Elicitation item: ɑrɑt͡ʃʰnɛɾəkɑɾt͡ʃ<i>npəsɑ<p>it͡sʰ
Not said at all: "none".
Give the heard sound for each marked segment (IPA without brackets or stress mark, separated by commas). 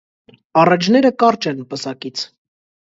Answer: ɛ, k